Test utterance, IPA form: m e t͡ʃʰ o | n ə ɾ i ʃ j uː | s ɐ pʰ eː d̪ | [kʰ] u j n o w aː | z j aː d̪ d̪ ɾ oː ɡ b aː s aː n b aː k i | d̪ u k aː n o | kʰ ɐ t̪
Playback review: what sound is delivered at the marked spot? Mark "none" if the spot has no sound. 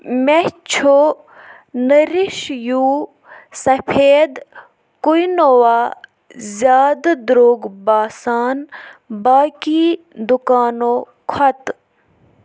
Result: k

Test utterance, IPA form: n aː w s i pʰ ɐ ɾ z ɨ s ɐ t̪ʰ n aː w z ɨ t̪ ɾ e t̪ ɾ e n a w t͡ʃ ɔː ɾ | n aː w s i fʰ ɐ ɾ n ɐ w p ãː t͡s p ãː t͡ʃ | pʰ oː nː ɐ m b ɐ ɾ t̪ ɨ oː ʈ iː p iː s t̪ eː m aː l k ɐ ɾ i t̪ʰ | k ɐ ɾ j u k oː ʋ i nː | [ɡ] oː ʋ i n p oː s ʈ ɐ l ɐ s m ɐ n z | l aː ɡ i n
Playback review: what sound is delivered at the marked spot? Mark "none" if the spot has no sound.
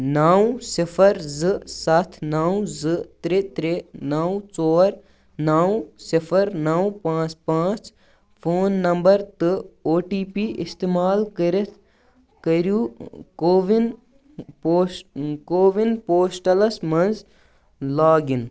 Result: k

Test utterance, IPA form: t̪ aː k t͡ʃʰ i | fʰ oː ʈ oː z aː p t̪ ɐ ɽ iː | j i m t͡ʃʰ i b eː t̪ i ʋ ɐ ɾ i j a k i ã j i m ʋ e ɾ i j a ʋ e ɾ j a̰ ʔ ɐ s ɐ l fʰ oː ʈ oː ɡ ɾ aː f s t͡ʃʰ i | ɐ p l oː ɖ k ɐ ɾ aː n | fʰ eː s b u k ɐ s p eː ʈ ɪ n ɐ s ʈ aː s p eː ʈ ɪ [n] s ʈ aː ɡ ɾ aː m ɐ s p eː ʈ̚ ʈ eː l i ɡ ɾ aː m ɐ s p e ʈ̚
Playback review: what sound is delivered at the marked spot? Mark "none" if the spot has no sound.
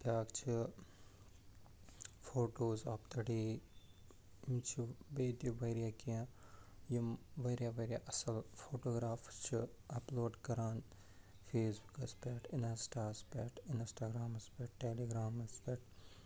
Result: n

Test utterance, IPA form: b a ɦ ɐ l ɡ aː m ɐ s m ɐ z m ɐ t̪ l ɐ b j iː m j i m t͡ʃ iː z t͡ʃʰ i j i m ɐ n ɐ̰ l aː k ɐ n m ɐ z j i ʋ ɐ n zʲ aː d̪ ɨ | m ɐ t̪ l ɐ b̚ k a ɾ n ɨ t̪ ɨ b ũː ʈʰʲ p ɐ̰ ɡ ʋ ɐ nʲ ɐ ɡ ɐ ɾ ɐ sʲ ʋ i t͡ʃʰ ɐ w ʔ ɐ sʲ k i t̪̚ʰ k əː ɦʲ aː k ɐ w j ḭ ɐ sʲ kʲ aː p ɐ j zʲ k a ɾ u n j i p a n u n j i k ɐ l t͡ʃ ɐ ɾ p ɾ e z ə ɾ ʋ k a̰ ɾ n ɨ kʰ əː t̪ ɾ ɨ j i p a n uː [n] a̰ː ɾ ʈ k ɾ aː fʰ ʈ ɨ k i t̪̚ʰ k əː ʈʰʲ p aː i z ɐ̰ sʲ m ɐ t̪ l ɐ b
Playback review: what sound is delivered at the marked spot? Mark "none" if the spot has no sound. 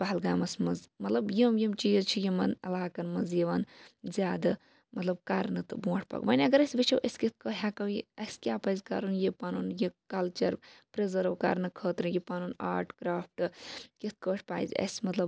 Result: n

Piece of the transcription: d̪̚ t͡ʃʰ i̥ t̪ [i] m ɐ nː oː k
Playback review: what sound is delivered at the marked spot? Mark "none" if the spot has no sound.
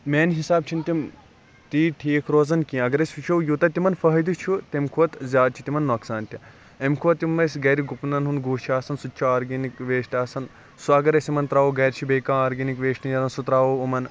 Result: i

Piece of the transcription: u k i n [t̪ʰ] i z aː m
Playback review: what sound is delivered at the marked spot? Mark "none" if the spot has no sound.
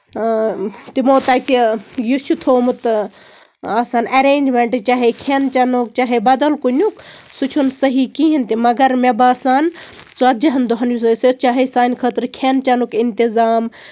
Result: t̪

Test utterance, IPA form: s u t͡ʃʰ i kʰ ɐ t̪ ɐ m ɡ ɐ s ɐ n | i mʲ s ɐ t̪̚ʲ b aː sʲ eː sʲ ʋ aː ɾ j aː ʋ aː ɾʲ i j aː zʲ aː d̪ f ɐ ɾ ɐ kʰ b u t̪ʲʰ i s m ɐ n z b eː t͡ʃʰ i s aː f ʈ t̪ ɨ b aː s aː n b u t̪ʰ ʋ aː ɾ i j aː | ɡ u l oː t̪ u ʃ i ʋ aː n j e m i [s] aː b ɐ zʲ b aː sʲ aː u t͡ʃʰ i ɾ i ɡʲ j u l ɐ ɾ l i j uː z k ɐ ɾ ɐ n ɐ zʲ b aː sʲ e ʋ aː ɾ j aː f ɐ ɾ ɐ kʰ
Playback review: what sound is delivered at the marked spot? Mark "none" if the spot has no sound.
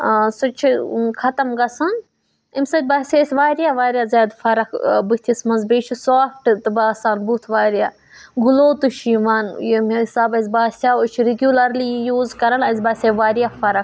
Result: s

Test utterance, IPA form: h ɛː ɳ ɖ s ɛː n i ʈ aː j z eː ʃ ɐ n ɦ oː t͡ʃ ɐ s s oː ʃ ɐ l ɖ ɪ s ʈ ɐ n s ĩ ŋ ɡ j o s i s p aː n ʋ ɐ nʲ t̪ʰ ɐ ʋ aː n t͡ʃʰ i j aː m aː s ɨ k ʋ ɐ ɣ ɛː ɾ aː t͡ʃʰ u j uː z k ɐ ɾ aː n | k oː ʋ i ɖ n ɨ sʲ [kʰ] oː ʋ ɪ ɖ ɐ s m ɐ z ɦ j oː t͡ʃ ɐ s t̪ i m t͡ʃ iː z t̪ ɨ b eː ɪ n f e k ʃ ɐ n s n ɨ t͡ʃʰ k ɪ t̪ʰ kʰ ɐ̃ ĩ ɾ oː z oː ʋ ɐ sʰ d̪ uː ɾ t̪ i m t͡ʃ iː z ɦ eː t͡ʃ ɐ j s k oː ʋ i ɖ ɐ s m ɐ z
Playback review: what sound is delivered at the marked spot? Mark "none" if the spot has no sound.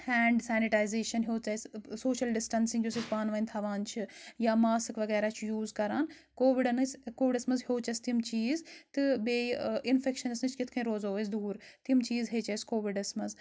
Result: k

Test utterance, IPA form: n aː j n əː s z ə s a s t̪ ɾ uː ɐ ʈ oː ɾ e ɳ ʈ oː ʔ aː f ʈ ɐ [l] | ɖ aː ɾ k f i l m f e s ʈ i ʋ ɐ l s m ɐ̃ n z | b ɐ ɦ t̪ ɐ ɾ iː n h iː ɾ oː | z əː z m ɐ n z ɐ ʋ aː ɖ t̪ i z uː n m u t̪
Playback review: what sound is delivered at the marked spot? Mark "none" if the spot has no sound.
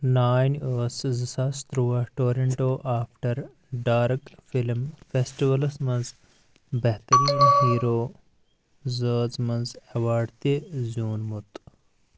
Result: ɾ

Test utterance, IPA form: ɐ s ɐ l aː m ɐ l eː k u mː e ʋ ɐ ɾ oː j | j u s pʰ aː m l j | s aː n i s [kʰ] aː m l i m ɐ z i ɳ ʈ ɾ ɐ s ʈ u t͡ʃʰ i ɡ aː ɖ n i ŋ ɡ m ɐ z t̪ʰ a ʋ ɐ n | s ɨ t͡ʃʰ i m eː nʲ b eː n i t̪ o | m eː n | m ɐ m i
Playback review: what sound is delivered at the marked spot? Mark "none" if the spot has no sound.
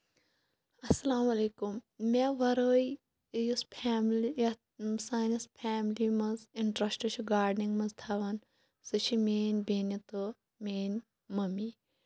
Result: pʰ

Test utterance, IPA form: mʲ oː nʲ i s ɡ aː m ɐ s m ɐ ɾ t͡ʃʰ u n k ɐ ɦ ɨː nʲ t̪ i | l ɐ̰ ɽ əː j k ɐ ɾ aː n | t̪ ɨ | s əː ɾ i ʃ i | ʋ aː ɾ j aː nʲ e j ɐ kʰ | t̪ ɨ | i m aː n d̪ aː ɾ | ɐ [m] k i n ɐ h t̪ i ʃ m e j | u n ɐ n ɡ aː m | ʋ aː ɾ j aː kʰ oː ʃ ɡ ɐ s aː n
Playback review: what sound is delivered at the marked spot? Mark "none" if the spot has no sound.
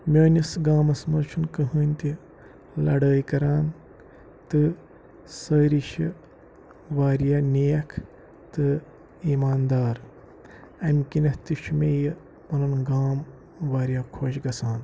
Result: m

